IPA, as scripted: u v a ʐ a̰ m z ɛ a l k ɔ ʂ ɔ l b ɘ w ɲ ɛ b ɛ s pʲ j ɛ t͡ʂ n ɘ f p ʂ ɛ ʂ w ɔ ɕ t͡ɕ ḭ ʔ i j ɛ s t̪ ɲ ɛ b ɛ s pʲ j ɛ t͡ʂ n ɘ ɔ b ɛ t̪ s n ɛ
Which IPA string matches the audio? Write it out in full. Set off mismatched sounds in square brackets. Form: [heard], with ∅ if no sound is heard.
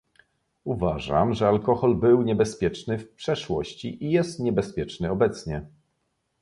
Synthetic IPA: u v a ʐ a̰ m [ʐ] ɛ a l k ɔ [x] ɔ l b ɘ w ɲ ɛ b ɛ s pʲ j ɛ t͡ʂ n ɘ f p ʂ ɛ ʂ w ɔ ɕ t͡ɕ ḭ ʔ i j ɛ s t̪ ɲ ɛ b ɛ s pʲ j ɛ t͡ʂ n ɘ ɔ b ɛ t̪ s [ɲ] ɛ